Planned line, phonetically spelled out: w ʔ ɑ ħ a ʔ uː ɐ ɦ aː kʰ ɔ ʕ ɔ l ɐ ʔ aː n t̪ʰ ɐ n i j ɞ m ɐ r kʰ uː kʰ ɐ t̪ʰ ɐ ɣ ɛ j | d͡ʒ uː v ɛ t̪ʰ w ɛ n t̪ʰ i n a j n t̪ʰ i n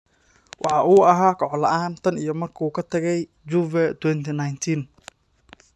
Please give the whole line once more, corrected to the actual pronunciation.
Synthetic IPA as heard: w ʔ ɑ ħ ɑ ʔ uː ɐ ɦ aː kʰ ɔ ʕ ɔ l ɐ ʔ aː n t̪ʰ ɐ n i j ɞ m ɐ r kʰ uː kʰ ɐ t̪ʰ ɐ ɣ ɛ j | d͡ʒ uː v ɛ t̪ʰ w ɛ n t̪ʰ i n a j n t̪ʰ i n